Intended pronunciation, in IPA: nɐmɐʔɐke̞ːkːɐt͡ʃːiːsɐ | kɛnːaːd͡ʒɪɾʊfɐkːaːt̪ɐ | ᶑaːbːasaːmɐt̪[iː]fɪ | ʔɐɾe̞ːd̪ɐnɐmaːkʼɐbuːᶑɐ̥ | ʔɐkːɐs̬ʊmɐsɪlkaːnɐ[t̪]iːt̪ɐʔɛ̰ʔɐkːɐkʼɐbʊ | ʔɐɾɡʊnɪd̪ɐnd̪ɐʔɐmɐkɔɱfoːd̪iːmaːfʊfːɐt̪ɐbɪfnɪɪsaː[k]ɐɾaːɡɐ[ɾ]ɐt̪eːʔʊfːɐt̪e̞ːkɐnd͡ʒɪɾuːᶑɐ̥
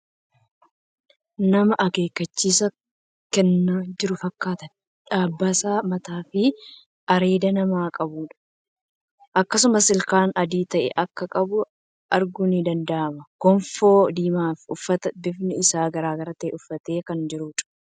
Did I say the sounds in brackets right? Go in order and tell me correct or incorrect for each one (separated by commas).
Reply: incorrect, incorrect, incorrect, correct